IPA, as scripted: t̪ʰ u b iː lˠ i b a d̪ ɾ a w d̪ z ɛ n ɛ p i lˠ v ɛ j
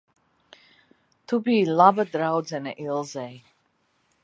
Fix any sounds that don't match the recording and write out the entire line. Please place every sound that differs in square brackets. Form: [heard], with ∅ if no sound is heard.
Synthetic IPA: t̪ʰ u b iː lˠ [a] b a d̪ ɾ a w d̪ z ɛ n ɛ [ʔ] i lˠ [z] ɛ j